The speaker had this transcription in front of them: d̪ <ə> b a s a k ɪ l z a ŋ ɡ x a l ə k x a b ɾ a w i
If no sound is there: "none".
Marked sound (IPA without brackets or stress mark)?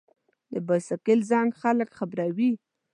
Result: ə